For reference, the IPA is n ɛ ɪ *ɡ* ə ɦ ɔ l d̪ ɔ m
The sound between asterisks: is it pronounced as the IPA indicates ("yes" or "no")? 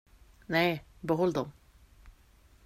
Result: no